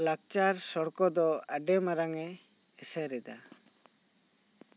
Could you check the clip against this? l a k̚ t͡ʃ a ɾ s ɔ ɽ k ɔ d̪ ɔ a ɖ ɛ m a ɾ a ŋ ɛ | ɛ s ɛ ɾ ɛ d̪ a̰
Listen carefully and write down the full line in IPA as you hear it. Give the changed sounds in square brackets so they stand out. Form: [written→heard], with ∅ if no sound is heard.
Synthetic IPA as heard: l a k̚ t͡ʃ a ɾ s ɔ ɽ k ɔ d̪ ɔ a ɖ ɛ m a ɾ a ŋ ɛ | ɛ s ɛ ɾ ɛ d̪ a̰